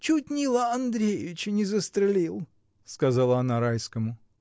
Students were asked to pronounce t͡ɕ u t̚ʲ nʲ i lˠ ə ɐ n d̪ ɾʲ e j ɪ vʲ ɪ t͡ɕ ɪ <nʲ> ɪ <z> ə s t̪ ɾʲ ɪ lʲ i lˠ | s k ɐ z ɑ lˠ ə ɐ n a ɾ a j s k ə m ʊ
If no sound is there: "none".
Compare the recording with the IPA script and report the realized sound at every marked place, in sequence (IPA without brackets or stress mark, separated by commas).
nʲ, z